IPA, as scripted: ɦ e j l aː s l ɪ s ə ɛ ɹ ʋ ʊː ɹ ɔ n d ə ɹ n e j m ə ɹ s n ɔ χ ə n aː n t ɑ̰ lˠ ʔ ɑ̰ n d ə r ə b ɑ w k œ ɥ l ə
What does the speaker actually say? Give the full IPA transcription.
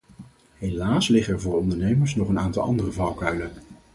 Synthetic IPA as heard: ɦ e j l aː s l ɪ χ ə ɛ ɹ v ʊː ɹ ɔ n d ə ɹ n e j m ə ɹ s n ɔ χ ə n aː n t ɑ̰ lˠ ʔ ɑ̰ n d ə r ə v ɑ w k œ ɥ l ə